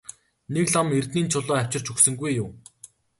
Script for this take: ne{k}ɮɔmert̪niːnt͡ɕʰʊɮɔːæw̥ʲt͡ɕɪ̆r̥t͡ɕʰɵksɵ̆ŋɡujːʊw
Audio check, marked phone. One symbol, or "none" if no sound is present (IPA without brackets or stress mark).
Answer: k